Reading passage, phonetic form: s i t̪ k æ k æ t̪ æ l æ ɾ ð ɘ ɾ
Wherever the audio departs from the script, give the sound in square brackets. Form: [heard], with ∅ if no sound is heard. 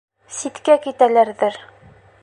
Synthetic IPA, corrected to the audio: s i t̪ k æ k [i] t̪ æ l æ ɾ ð ɘ ɾ